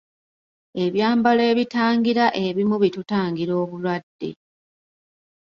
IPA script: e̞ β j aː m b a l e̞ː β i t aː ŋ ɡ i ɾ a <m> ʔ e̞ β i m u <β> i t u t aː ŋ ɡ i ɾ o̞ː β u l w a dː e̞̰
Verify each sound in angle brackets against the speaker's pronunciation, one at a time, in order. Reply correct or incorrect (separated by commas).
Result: incorrect, correct